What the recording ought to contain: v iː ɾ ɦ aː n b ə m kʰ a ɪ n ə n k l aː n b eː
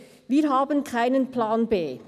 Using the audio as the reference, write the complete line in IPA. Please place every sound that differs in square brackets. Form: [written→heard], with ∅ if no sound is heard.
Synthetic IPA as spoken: v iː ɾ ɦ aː [n→∅] b ə [m→n] kʰ a ɪ n ə n [k→p] l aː n b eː